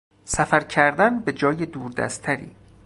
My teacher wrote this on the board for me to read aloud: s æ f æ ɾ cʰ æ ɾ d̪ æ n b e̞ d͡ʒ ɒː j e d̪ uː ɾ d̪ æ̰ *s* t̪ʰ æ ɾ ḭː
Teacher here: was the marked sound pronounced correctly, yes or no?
yes